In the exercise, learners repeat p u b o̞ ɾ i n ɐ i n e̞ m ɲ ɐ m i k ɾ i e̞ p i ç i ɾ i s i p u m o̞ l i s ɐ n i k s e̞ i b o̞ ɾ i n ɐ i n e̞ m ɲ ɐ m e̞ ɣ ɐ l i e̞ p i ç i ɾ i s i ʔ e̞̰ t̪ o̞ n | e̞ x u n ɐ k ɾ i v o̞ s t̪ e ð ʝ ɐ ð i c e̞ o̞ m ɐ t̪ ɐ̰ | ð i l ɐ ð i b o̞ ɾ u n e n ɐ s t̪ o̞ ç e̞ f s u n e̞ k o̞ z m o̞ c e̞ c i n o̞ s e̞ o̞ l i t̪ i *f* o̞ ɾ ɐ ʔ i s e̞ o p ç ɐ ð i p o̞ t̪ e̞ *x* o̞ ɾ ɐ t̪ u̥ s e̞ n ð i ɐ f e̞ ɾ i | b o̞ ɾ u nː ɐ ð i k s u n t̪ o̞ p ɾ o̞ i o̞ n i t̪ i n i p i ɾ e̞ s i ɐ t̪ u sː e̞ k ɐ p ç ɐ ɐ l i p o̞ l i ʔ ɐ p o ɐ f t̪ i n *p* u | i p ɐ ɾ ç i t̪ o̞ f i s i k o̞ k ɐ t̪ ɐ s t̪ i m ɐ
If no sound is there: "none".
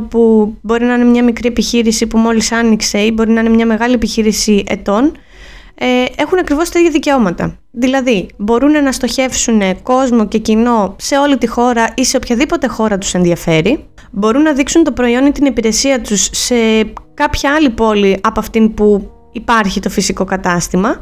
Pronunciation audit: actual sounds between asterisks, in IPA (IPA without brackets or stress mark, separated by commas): x, x, p